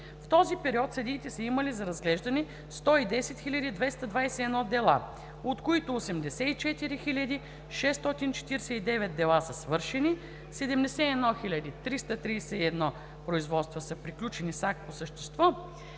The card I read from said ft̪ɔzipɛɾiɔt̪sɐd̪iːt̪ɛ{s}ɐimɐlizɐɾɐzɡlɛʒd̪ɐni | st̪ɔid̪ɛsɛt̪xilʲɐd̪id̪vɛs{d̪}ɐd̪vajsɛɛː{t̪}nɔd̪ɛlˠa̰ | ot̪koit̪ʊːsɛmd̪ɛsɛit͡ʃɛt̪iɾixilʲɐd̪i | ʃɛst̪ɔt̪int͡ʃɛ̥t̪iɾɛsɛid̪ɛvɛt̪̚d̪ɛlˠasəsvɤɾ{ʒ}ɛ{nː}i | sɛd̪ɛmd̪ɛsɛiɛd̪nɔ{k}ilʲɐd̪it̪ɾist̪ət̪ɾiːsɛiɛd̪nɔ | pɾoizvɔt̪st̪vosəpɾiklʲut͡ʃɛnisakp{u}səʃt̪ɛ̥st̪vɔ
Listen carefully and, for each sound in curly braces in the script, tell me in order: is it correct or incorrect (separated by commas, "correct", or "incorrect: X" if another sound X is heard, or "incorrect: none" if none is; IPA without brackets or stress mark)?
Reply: correct, incorrect: t̪, incorrect: d̪, incorrect: ʃ, incorrect: n, incorrect: x, incorrect: o